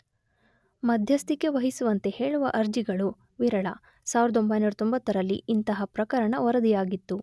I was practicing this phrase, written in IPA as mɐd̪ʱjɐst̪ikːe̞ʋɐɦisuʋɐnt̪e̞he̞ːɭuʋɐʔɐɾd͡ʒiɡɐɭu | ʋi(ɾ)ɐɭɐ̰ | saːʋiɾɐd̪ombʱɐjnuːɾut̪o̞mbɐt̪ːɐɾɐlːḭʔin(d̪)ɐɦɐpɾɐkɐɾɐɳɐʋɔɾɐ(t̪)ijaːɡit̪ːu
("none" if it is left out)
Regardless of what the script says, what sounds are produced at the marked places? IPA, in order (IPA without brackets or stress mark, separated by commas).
ɾ, t̪, d̪